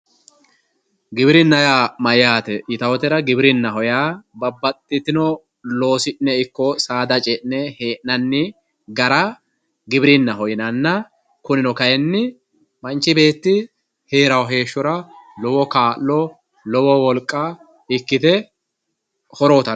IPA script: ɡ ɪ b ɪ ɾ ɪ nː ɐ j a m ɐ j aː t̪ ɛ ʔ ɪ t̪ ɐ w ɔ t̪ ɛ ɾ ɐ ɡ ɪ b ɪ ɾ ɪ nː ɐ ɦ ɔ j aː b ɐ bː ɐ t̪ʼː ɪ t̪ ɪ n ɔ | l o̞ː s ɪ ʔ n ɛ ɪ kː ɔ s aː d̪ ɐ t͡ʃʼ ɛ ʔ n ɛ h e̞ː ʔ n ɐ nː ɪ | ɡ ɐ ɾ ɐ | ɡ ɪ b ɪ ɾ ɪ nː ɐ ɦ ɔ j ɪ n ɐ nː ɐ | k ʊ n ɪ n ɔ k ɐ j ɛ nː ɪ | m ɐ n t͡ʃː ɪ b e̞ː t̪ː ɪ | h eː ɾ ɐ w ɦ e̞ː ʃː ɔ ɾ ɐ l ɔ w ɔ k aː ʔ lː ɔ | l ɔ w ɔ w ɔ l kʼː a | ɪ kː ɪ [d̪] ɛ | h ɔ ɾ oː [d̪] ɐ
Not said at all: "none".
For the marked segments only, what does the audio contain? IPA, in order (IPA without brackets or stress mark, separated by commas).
t̪, t̪